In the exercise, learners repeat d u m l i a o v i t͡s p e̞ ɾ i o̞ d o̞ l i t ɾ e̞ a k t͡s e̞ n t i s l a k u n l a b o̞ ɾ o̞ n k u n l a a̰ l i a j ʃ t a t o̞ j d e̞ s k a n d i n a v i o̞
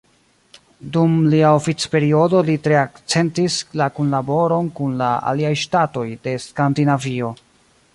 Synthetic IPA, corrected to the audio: d u m l i a o f i t͡s p e̞ ɾ i o̞ d o̞ l i t ɾ e̞ a k t͡s e̞ n t i s l a k u n l a b o̞ ɾ o̞ n k u n l a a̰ l i a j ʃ t a t o̞ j d e̞ s k a n d i n a v i o̞